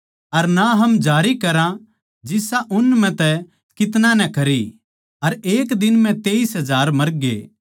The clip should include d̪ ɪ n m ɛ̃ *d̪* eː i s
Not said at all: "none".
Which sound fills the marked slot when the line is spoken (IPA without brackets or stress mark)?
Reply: t̪